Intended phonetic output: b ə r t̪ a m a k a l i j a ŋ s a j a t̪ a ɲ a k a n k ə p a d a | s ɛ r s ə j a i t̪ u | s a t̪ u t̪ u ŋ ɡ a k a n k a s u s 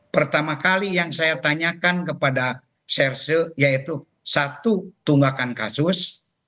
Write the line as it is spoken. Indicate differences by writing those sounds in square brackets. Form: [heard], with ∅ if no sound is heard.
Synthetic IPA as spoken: [p] ə r t̪ a m a k a l i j a ŋ s a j a t̪ a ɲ a k a n k ə p a d a | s ɛ r s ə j a i t̪ u | s a t̪ u t̪ u ŋ ɡ a k a n k a s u s